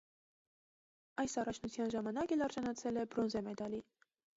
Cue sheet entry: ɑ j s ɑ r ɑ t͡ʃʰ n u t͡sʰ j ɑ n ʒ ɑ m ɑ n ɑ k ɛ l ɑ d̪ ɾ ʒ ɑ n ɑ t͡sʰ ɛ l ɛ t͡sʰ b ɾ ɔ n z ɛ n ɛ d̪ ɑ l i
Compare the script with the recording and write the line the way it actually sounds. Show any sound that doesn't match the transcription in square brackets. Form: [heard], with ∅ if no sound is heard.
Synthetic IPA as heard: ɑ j s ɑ r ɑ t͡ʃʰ n u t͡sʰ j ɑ n ʒ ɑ m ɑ n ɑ k ɛ l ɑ [∅] ɾ ʒ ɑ n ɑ t͡sʰ ɛ l ɛ [∅] b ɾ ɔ n z ɛ [m] ɛ d̪ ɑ l i